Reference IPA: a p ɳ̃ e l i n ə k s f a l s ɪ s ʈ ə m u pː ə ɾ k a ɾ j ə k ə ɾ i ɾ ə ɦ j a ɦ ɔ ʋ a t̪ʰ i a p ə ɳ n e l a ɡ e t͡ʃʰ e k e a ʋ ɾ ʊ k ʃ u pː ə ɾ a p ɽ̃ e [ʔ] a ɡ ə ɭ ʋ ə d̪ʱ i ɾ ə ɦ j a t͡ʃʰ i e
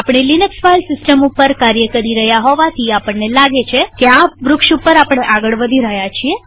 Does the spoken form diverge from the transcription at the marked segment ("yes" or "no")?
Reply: no